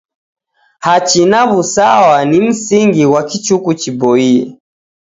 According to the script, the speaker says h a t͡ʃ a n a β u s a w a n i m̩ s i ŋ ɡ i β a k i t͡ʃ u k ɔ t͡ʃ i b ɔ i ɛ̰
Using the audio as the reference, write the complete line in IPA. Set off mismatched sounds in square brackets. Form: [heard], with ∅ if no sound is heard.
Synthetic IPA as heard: h a t͡ʃ [i] n a β u s a w a n i m̩ s i ŋ ɡ i [w] a k i t͡ʃ u k [u] t͡ʃ i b ɔ i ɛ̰